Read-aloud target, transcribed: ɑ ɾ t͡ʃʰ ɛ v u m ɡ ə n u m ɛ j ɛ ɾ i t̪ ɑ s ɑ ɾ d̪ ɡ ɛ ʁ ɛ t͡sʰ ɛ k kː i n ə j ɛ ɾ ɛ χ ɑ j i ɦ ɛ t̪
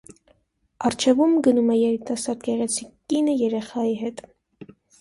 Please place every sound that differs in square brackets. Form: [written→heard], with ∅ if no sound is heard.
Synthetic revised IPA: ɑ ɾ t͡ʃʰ ɛ v u m ɡ ə n u m ɛ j ɛ ɾ i t̪ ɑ s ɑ ɾ d̪ ɡ ɛ ʁ ɛ t͡sʰ [ɛ→i] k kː i n ə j ɛ ɾ ɛ χ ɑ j i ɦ ɛ t̪